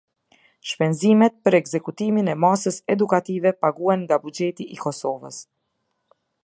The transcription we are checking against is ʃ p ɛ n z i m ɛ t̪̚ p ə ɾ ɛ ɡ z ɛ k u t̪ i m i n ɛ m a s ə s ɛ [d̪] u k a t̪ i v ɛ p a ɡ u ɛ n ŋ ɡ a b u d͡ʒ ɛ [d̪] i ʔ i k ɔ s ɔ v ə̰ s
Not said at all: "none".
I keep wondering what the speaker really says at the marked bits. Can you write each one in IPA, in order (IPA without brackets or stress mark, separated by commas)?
d̪, t̪